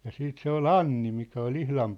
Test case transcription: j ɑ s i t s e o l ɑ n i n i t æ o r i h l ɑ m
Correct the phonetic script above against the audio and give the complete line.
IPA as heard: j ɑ s iː t s e o l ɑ nː i m i k æ o l i h l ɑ m